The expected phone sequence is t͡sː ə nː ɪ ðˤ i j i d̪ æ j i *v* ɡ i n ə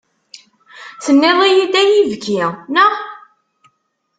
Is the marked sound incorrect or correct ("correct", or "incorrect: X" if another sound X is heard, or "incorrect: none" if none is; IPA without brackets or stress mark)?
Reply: correct